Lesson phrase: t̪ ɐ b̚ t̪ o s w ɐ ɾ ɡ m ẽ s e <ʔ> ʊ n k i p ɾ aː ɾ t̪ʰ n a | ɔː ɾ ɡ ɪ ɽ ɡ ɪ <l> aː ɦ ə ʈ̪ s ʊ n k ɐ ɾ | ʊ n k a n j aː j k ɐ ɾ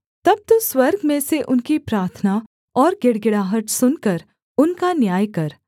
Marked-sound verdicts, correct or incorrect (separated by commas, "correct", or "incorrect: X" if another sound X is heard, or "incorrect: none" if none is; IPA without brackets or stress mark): correct, incorrect: ɽ